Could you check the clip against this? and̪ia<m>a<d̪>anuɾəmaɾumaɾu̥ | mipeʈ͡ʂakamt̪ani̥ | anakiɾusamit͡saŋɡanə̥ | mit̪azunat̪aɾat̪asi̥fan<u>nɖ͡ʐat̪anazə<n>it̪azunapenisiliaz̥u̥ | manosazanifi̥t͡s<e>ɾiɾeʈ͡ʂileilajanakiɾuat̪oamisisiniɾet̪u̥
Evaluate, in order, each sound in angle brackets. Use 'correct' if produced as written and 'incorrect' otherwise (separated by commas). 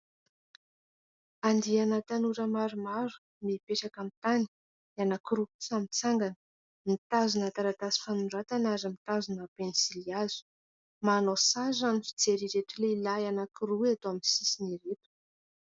incorrect, incorrect, correct, incorrect, correct